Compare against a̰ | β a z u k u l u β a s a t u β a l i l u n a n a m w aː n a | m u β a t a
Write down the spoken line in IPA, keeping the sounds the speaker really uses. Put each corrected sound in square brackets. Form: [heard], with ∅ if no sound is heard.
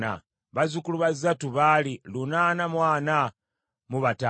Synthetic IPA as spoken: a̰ | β a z u k u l u β a [z] a t u β a l i l u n a n a m w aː n a | m u β a t a

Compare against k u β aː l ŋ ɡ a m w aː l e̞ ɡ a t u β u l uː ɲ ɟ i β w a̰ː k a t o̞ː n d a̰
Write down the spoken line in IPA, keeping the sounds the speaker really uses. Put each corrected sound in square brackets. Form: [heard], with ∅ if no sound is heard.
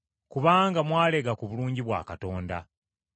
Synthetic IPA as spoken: k u β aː [∅] ŋ ɡ a m w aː l e̞ ɡ a [k] u β u l uː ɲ ɟ i β w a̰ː k a t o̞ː n d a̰

